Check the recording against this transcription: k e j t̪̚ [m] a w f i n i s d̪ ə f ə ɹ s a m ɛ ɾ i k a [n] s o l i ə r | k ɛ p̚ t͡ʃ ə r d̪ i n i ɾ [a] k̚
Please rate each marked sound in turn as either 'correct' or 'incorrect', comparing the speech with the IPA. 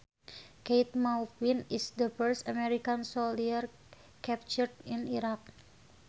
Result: correct, correct, correct

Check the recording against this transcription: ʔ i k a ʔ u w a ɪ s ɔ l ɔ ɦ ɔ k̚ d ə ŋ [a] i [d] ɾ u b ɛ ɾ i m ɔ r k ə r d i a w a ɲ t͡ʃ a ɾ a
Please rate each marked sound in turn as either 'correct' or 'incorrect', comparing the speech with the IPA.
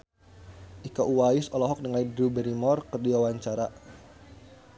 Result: correct, correct

